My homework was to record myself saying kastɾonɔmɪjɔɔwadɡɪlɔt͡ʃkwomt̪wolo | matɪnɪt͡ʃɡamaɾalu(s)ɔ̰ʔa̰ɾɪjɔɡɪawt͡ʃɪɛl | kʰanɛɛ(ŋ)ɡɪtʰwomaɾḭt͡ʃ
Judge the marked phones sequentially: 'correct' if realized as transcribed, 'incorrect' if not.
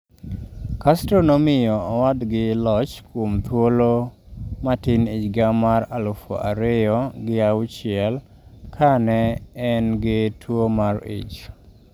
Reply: incorrect, incorrect

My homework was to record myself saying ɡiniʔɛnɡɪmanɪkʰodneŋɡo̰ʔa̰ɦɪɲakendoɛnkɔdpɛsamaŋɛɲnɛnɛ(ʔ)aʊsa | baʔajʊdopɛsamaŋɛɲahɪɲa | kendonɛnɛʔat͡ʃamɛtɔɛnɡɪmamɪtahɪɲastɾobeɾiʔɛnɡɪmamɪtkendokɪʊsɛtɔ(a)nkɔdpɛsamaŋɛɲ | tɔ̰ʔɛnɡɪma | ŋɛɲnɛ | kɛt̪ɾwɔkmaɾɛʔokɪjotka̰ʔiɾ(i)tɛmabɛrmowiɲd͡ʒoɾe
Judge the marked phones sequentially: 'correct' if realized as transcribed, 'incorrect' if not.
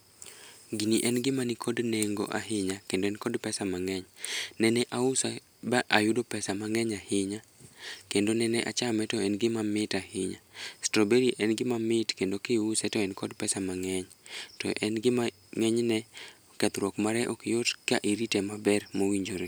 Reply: correct, incorrect, correct

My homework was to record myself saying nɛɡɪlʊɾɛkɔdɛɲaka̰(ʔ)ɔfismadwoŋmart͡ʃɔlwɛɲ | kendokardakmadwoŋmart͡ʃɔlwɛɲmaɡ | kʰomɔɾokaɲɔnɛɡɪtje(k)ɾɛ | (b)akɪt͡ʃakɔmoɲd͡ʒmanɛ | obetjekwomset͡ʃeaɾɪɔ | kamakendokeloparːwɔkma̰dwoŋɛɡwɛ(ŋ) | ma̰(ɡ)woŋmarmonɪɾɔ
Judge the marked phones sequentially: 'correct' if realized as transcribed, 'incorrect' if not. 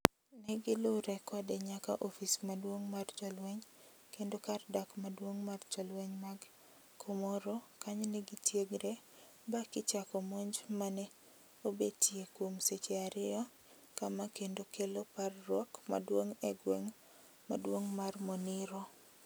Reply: correct, incorrect, correct, correct, incorrect

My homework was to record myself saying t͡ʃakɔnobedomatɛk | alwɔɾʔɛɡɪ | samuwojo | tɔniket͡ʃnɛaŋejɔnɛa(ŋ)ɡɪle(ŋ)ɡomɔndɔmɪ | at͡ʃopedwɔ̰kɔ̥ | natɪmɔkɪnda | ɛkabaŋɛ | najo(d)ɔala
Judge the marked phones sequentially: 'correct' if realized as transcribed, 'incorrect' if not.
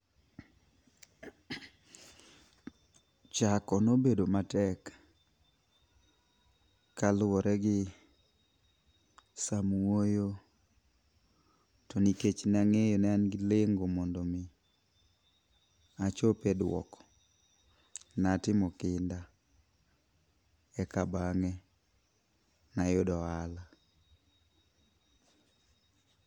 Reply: incorrect, correct, correct

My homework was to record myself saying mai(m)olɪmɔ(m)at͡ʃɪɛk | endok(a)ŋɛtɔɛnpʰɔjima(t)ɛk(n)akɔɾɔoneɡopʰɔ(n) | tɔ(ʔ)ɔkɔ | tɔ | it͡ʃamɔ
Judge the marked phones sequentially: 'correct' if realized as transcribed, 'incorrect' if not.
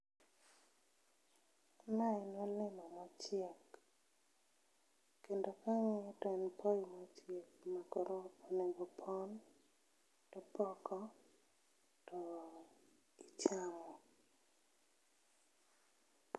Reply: incorrect, correct, correct, incorrect, incorrect, correct, incorrect

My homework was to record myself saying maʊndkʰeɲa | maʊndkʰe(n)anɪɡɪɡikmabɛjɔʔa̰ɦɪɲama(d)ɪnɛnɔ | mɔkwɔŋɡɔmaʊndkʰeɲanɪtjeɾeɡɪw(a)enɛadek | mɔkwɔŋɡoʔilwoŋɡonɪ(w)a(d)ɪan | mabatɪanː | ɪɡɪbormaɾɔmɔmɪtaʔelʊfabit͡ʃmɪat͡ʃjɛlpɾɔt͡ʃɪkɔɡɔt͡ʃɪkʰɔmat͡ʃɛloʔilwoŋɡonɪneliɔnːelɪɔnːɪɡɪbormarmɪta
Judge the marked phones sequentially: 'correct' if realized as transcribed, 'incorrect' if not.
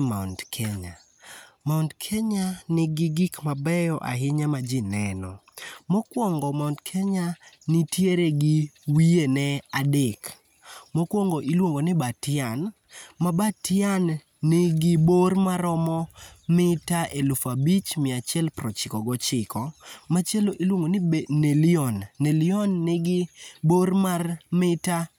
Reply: incorrect, incorrect, incorrect, incorrect, incorrect

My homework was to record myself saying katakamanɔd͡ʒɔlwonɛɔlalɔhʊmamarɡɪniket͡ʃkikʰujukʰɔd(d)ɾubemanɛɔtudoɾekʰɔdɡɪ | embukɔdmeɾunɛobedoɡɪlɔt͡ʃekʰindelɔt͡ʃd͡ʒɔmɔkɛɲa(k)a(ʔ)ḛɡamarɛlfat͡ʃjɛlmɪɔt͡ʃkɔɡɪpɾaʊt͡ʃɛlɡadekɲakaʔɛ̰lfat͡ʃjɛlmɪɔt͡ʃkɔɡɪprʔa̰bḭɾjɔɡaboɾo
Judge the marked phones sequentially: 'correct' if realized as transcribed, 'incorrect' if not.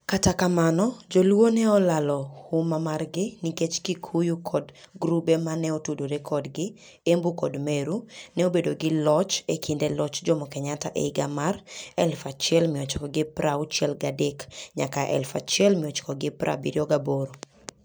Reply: incorrect, incorrect, correct

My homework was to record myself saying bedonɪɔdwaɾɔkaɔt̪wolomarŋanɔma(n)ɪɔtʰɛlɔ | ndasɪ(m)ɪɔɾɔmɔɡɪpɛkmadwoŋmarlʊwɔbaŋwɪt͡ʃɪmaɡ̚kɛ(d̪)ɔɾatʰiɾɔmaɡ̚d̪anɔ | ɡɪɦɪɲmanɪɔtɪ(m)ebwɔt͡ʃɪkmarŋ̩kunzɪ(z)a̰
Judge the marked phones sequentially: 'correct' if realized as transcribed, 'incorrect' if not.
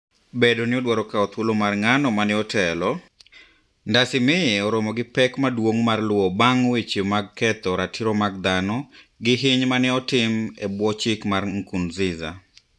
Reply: correct, correct, incorrect, correct, correct

